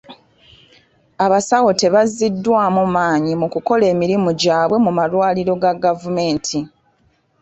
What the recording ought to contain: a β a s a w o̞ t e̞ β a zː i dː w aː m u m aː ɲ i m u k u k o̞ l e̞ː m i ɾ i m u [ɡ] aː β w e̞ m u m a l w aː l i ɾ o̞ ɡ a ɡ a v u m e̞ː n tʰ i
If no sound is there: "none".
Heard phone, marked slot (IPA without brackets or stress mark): ɟ